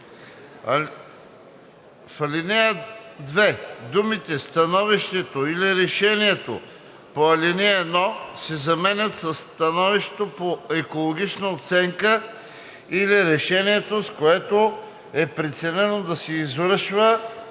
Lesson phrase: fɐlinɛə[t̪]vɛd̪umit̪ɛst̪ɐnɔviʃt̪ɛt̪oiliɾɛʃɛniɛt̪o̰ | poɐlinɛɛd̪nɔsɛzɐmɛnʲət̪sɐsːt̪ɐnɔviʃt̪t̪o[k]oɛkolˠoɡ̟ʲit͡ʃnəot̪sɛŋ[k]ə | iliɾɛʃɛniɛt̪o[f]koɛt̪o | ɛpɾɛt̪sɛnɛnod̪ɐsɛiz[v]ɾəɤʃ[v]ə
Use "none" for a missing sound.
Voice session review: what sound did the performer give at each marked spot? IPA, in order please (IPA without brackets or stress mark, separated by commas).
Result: d̪, p, k, s, v, v